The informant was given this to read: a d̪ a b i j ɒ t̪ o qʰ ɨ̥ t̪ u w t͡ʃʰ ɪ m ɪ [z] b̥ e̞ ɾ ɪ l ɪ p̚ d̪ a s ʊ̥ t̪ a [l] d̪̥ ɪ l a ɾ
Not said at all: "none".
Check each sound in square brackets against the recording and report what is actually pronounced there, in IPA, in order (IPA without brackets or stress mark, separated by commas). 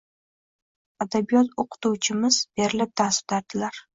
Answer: z, ɾ